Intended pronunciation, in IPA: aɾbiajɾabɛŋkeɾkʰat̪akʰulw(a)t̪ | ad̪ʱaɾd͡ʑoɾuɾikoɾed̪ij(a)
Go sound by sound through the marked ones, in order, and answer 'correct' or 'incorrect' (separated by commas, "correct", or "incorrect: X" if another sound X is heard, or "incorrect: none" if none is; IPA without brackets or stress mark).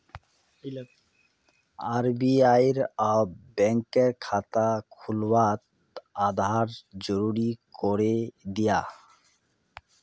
correct, correct